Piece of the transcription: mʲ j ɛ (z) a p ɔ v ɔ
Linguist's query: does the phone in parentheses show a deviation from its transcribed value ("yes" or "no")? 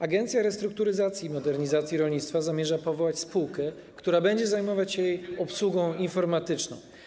yes